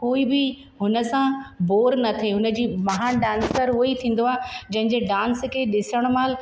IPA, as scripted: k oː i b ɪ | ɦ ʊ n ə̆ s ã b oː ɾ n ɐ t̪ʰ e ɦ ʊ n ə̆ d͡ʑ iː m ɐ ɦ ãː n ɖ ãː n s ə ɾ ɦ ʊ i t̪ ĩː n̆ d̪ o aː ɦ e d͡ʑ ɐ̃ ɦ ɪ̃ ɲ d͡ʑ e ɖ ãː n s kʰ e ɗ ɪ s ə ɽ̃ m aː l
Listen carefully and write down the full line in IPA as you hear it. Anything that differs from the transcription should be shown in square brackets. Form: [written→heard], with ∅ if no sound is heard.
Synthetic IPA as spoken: k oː i b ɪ | ɦ ʊ n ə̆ s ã b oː ɾ n ɐ t̪ʰ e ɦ ʊ n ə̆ d͡ʑ iː m ɐ ɦ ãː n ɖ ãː n s ə ɾ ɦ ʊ i [t̪→t̪ʰ] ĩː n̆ d̪ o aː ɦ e d͡ʑ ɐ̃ ɦ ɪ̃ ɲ d͡ʑ e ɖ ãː n s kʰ e ɗ ɪ s ə ɽ̃ m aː l